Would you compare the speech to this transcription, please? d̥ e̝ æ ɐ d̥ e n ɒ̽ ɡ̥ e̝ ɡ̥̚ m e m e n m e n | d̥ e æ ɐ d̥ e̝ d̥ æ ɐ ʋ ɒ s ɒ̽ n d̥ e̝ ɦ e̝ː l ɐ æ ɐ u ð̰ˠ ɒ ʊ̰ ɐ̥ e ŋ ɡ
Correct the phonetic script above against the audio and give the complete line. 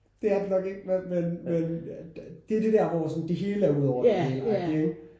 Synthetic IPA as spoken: d̥ e̝ æ ɐ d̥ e n ɒ̽ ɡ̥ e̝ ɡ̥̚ m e m e n m e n | d̥ e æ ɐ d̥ e̝ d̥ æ ɐ ʋ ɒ s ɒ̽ n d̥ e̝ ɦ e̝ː l ə æ ɐ u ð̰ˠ ɒ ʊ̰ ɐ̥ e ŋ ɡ